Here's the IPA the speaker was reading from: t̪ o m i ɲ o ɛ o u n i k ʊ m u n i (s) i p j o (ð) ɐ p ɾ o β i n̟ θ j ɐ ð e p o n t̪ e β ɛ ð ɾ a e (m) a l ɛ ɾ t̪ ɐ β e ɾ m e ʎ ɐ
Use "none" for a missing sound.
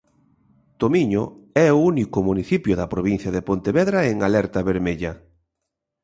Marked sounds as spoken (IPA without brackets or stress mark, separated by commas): θ, ð, ŋ